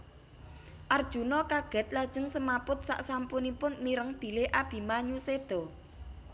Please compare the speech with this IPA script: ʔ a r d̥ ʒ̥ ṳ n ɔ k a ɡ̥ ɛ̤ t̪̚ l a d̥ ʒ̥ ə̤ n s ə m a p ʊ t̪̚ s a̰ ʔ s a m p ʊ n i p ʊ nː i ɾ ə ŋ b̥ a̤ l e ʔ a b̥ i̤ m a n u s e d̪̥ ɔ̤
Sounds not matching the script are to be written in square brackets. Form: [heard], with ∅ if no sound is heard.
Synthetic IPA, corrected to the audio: ʔ a r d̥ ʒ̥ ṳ n ɔ k a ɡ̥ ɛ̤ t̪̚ l a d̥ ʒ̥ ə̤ [ŋ] s ə m a p ʊ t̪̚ s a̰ ʔ s a m p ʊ n i p ʊ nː i ɾ ə ŋ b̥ [i̤] l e ʔ a b̥ i̤ m a [ɲ] u s e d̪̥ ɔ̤